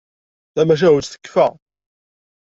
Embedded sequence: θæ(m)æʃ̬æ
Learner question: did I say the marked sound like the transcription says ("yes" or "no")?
yes